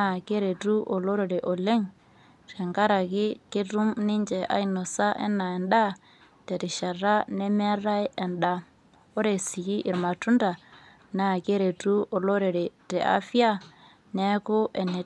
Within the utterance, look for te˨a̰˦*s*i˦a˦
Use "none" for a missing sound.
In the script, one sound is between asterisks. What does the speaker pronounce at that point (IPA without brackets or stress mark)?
f